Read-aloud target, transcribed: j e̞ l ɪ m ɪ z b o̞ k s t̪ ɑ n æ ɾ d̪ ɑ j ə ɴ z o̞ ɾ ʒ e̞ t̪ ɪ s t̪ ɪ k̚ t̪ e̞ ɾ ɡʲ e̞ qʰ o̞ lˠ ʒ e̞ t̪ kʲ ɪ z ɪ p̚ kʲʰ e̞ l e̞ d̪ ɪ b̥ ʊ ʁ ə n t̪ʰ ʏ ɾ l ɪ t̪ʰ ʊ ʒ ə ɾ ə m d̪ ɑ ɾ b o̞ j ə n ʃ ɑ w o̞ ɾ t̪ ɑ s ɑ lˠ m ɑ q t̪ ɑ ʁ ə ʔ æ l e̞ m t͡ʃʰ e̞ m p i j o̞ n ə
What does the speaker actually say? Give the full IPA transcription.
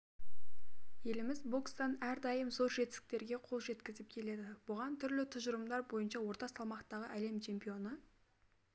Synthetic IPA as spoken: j e̞ l ɪ m ɪ z b o̞ k s t̪ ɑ n æ ɾ d̪ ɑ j ə m z o̞ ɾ ʒ e̞ t̪ ɪ s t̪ ɪ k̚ t̪ e̞ ɾ ɡʲ e̞ qʰ o̞ lˠ ʒ e̞ t̪ kʲ ɪ z ɪ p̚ kʲʰ e̞ l e̞ d̪ ɪ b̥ ʊ ʁ ɑ n t̪ʰ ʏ ɾ l ɪ t̪ʰ ʊ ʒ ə ɾ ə m d̪ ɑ ɾ b o̞ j ə n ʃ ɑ w o̞ ɾ t̪ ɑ s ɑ lˠ m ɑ q t̪ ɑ ʁ ə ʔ æ l e̞ m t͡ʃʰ e̞ m p i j o̞ n ə